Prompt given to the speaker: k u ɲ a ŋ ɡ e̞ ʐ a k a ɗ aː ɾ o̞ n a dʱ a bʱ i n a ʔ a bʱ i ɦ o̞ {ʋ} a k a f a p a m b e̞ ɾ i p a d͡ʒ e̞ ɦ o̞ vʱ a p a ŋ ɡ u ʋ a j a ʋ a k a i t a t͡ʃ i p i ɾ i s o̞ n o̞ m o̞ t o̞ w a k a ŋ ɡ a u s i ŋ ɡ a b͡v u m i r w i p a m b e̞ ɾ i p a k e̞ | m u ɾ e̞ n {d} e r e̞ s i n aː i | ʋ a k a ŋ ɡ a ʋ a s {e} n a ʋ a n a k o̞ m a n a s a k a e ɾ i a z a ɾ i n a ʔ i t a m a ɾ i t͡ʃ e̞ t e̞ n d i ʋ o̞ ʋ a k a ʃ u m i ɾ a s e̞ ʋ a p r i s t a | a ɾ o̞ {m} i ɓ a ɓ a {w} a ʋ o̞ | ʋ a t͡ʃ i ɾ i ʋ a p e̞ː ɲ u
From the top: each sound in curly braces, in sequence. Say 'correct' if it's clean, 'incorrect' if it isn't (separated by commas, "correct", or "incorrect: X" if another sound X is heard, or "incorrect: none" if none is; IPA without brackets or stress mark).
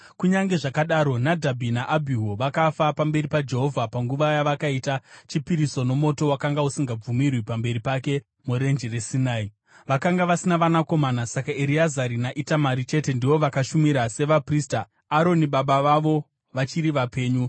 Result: correct, incorrect: d͡ʒ, incorrect: i, incorrect: n, incorrect: ʋ